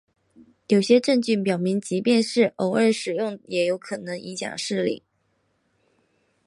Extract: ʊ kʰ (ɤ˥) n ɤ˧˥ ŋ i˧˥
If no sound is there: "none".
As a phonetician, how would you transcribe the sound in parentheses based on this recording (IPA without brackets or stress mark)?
ɤ˨˩